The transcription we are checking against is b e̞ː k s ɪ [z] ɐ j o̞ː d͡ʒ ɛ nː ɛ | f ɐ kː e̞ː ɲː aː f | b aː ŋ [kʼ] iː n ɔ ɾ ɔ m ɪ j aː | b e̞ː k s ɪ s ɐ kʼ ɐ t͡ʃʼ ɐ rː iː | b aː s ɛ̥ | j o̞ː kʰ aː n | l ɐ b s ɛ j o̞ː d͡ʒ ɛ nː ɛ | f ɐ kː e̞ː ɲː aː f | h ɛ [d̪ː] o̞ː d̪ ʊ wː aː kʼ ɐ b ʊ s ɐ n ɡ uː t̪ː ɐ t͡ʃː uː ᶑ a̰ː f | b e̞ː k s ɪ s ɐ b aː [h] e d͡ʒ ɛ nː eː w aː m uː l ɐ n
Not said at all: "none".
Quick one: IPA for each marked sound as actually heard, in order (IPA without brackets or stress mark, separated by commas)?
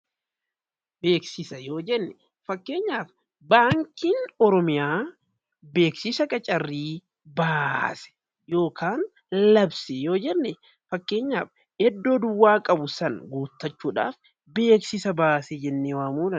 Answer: s, k, d̪ː, s